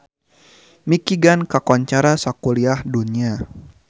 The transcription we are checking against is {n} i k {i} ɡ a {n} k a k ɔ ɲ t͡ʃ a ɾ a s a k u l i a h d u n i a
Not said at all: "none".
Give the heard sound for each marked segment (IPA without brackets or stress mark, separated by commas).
m, i, n